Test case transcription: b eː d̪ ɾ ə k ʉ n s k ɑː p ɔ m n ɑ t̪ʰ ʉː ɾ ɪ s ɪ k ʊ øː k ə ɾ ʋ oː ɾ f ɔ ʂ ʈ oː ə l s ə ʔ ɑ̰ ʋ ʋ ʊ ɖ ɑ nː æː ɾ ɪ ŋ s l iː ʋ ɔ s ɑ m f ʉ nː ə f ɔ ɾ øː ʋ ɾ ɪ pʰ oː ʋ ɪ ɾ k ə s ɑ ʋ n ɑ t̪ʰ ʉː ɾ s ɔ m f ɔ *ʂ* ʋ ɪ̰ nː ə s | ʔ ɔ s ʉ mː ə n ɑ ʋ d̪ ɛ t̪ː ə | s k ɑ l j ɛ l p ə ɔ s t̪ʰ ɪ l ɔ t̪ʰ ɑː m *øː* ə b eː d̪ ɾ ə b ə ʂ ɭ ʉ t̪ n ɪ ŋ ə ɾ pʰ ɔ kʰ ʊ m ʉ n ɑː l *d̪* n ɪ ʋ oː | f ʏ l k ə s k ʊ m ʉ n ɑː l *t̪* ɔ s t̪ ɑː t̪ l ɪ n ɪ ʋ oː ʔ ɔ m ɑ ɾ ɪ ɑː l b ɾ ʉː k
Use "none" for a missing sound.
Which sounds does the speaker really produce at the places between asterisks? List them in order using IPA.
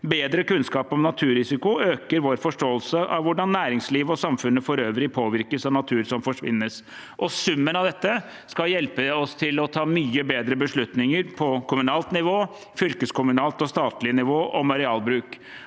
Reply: ʂ, yː, t̪, t̪

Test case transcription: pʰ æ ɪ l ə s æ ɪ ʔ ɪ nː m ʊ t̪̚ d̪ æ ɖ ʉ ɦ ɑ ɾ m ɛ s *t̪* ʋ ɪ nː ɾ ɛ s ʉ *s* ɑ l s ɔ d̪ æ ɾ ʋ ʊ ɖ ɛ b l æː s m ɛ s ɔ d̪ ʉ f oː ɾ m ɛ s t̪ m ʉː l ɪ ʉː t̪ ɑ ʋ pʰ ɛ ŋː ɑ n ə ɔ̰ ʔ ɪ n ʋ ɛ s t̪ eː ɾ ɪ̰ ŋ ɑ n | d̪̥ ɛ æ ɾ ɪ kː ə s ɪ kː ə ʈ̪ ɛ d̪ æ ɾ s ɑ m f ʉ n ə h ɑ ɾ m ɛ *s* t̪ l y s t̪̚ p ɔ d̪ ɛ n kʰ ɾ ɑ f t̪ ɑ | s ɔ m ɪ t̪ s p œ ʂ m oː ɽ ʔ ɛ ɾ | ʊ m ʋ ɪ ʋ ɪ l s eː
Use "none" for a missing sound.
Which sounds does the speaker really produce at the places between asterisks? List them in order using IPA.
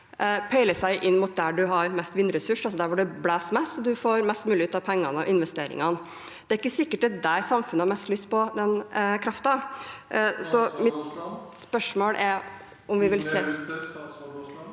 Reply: t̪, ʂ, s

